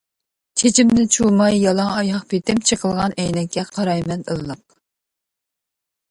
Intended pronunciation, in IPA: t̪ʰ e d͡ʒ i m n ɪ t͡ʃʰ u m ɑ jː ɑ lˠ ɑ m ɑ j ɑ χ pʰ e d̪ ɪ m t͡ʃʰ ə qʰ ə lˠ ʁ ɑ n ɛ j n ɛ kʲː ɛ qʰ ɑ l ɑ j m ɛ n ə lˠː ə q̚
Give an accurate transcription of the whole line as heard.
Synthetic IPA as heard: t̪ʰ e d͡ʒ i m n ɪ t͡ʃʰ u m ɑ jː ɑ lˠ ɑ ŋ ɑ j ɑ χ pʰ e t̪ ɪ m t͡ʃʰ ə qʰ ə lˠ ʁ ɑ n ɛ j n ɛ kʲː ɛ qʰ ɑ ɾ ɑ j m ɛ n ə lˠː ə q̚